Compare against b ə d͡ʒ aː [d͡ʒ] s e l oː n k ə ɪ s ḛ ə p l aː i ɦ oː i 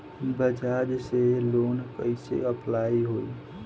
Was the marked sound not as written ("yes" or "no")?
no